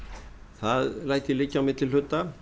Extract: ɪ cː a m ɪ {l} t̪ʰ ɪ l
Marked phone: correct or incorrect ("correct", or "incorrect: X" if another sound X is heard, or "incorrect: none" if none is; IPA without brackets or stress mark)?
incorrect: none